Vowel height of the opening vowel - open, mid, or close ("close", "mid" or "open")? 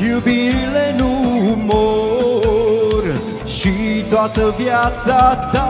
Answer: close